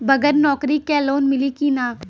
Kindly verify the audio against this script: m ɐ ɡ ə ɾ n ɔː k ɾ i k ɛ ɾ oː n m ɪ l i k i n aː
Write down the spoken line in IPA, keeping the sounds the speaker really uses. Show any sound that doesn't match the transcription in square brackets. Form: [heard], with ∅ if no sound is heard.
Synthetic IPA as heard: [b] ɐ ɡ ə ɾ n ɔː k ɾ i k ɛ [l] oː n m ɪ l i k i n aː